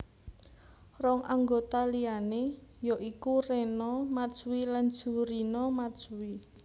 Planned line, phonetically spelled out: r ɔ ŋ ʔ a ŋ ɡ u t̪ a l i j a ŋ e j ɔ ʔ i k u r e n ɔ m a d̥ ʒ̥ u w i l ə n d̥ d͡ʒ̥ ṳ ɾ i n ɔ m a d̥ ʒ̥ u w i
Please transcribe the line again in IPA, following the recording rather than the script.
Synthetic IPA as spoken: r ɔ ŋ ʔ a ŋ ɡ o t̪ a l i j a n e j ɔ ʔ i k u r e n ɔ m a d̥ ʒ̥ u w i l a n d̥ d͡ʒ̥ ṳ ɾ i n ɔ m a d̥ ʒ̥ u w i

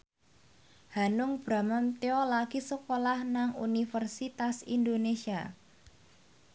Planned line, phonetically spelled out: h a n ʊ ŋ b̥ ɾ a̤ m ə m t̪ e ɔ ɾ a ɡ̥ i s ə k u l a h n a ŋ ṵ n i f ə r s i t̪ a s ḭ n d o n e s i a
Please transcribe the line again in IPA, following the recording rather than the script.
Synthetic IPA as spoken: h a n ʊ ŋ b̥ ɾ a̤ m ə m t̪ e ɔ l a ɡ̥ i s ə k o l a h n a ŋ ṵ n i f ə r s i t̪ a s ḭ n d o n e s i a

